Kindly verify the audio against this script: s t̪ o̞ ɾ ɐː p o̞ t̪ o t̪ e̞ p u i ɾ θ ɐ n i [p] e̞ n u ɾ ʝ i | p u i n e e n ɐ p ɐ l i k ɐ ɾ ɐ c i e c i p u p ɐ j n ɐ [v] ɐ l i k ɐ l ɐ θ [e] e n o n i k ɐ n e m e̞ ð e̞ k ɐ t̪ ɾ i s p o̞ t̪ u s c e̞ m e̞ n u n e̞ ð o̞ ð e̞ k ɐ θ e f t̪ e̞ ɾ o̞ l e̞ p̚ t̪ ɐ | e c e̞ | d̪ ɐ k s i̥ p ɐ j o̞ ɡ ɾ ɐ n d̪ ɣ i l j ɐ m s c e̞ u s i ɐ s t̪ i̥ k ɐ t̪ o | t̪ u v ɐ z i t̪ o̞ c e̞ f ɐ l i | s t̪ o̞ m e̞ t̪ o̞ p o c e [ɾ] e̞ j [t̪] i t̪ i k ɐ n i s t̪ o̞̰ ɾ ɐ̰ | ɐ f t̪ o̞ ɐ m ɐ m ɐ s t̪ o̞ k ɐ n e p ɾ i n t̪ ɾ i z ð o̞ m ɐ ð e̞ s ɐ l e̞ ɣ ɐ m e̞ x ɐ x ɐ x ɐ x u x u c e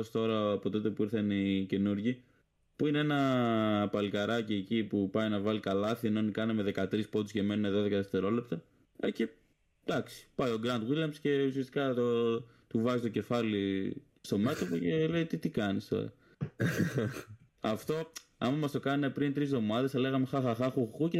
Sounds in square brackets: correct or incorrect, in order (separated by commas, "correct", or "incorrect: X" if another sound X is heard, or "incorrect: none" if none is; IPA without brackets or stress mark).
incorrect: c, correct, incorrect: i, incorrect: l, correct